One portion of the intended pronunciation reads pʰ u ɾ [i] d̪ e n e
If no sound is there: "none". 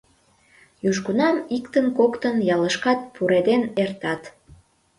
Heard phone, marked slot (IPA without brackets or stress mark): e